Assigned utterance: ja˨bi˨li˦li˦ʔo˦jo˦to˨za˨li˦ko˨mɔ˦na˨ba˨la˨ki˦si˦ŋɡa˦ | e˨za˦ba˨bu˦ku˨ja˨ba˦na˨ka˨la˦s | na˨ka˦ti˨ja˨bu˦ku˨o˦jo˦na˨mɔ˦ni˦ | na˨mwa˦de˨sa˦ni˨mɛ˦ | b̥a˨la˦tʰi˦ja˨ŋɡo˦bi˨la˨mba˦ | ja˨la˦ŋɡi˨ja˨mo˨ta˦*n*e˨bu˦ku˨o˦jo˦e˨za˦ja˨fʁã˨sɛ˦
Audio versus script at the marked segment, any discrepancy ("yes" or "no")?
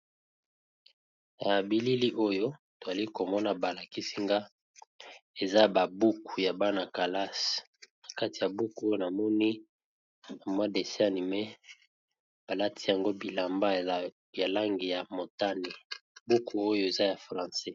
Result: no